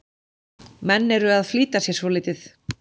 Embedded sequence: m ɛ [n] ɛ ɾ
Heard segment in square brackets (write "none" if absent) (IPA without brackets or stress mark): nː